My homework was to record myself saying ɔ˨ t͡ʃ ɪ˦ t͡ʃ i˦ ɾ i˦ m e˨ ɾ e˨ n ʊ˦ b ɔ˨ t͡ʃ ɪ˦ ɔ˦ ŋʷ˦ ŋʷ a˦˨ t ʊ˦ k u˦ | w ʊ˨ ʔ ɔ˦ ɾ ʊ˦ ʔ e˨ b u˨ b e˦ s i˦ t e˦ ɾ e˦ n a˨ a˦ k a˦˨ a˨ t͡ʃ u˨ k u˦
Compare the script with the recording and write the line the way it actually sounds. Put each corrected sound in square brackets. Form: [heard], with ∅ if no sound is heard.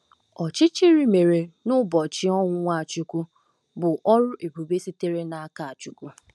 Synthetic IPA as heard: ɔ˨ t͡ʃ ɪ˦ t͡ʃ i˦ ɾ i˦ m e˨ ɾ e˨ n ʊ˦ b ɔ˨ t͡ʃ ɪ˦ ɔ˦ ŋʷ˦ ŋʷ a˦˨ [t͡ʃ] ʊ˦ k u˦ | [b] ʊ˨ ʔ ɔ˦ ɾ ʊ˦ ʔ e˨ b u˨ b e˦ s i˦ t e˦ ɾ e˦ n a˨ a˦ k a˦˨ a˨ t͡ʃ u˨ k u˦